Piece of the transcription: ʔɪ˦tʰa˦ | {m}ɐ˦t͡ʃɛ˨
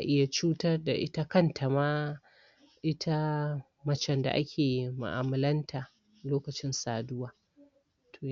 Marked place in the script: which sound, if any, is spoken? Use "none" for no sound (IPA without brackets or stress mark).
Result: m